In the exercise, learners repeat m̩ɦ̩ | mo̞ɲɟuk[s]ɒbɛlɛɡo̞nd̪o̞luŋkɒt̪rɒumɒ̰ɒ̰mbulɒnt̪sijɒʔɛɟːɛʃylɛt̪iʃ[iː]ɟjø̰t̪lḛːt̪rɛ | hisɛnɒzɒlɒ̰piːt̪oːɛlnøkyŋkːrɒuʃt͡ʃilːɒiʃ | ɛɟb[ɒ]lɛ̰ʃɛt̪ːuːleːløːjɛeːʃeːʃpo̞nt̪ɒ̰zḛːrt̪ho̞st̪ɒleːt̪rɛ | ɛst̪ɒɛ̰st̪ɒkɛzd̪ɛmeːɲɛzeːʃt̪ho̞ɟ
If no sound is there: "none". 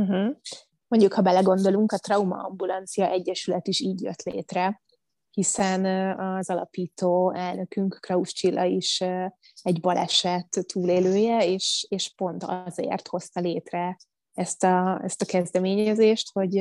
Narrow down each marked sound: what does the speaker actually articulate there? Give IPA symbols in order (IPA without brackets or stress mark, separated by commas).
h, iː, ɒ